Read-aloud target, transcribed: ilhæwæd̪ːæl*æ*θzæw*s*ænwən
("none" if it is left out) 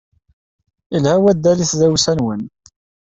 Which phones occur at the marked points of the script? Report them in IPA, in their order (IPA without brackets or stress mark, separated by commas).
i, s